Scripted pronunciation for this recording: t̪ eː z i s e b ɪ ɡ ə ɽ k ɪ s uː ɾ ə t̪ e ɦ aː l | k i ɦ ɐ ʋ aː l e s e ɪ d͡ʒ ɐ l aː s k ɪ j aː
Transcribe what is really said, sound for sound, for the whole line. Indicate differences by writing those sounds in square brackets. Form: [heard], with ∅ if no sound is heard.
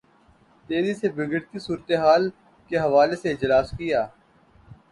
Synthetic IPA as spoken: t̪ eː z i s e b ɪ ɡ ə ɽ k [i] s uː ɾ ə t̪ e ɦ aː l | k [e] ɦ ɐ ʋ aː l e s e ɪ d͡ʒ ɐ l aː s k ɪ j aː